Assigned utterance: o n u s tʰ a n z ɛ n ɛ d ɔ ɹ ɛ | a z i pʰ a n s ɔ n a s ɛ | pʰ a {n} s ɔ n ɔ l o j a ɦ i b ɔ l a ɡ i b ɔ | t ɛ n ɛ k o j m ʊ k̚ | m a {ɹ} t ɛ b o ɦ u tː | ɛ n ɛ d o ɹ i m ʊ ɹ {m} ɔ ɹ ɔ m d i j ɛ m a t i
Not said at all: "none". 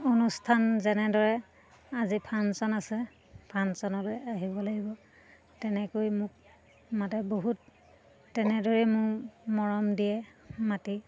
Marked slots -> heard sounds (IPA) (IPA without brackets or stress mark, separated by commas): n, none, m